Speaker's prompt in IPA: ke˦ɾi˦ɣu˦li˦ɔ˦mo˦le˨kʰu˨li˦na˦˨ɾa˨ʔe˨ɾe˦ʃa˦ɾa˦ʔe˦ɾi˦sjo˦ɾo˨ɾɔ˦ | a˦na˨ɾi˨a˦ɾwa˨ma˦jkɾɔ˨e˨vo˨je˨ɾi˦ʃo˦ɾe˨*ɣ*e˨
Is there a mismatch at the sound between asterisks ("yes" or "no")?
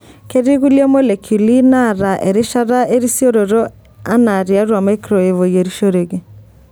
no